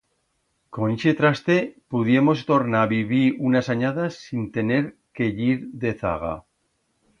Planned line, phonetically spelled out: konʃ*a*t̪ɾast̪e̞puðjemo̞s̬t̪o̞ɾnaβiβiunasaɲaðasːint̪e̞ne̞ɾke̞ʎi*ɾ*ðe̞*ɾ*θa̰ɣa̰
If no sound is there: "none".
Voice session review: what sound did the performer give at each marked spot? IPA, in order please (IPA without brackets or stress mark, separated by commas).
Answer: e, ɾ, none